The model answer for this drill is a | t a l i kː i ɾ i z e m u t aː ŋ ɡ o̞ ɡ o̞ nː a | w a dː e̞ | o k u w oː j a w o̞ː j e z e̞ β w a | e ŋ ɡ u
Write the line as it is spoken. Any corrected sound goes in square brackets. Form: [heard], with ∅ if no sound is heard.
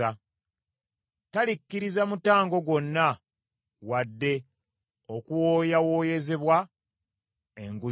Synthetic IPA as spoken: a | t a l i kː i ɾ i z [a] m u t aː ŋ ɡ o̞ ɡ o̞ nː a | w a dː e̞ | o k u w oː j a w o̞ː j e z e̞ β w a | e ŋ ɡ u